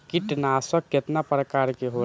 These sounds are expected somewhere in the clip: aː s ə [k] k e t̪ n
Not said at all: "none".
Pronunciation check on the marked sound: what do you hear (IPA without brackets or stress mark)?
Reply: k